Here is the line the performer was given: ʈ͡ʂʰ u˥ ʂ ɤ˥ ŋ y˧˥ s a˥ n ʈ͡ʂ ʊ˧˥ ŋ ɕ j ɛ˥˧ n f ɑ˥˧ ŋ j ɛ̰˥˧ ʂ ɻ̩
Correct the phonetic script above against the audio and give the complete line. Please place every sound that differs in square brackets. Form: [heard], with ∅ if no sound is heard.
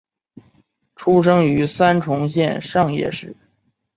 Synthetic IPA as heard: ʈ͡ʂʰ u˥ ʂ ɤ˥ ŋ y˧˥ s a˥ n [ʈ͡ʂʰ] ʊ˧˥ ŋ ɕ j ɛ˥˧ n [ʂ] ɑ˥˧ ŋ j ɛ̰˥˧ ʂ ɻ̩